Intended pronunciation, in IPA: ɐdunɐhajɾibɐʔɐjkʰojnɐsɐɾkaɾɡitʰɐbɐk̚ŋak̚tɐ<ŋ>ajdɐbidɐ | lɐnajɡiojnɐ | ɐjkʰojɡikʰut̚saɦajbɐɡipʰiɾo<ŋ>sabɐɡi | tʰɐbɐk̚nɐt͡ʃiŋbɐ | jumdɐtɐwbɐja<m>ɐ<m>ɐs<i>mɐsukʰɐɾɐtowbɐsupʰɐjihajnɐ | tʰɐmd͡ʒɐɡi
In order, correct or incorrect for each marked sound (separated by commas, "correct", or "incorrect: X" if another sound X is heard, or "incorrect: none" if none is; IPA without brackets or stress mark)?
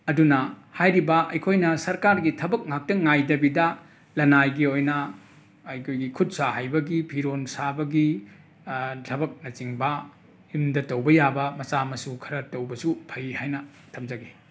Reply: correct, incorrect: n, incorrect: b, correct, incorrect: a